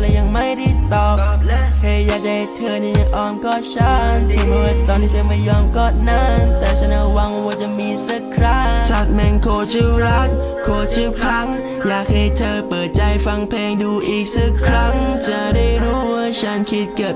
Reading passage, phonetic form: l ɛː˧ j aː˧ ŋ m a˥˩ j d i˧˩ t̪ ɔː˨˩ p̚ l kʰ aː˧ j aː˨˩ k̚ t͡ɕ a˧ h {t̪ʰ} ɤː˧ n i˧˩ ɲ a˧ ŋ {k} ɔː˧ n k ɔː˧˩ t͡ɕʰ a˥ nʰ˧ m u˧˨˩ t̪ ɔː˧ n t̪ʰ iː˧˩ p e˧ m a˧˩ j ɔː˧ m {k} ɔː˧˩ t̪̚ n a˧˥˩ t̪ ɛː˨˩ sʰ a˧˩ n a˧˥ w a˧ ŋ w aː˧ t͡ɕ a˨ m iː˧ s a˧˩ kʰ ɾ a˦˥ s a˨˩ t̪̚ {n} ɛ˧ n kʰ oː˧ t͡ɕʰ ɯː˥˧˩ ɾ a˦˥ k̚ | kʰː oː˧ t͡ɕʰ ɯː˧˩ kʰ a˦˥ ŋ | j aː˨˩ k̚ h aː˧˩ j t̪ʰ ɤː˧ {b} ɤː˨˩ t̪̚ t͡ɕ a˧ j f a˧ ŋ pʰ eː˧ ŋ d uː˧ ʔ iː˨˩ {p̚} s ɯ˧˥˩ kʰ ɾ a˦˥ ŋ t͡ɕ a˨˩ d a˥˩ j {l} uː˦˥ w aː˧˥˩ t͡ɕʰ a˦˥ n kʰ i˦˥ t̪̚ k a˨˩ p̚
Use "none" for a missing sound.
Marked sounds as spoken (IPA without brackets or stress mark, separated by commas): t̪ʰ, ʔ, k, m, p, k̚, ɾ